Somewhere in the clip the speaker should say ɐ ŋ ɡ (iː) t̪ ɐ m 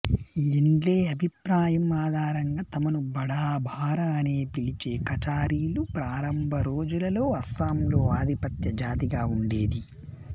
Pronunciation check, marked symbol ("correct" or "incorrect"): incorrect